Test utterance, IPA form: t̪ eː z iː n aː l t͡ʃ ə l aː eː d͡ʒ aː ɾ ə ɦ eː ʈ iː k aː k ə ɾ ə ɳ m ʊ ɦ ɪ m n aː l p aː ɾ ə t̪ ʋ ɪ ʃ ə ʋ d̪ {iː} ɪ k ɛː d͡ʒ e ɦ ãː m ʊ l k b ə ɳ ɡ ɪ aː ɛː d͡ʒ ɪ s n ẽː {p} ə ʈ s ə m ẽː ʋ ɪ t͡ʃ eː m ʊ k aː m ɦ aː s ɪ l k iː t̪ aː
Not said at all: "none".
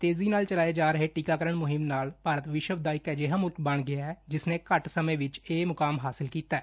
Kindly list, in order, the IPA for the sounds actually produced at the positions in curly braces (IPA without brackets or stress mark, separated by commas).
aː, k